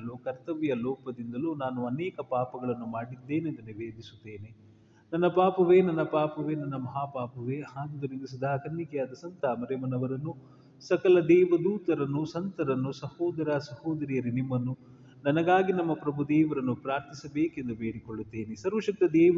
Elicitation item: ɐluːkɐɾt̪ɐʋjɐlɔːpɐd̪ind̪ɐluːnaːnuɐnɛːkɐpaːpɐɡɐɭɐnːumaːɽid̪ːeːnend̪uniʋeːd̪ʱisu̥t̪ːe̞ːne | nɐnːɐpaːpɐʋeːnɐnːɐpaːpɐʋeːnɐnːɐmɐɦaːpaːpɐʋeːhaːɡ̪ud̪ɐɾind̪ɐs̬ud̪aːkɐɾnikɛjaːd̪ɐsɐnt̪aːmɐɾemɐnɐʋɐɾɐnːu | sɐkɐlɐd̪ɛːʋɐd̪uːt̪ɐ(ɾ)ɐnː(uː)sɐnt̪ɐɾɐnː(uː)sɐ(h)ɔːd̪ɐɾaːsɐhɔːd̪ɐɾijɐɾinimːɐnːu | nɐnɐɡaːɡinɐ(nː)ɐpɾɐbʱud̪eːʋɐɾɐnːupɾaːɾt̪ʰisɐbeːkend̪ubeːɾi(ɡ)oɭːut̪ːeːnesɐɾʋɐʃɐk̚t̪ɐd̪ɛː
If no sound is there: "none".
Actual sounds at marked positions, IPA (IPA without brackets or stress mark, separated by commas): ɾ, u, u, h, mː, k